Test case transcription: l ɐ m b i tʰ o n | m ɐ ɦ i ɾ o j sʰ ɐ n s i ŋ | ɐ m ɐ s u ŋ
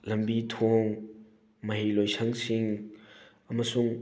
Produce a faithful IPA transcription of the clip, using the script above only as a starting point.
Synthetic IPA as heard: l ɐ m b i tʰ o ŋ | m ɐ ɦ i l o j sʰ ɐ ŋ s i ŋ | ɐ m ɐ s u ŋ